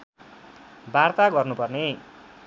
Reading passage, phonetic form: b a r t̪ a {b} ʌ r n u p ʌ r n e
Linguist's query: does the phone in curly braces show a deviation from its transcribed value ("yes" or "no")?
yes